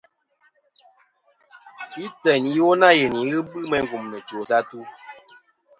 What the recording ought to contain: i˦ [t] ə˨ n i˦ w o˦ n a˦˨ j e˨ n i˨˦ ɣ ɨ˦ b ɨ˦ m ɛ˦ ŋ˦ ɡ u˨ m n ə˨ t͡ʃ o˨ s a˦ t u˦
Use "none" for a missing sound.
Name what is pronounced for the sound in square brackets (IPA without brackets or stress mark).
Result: t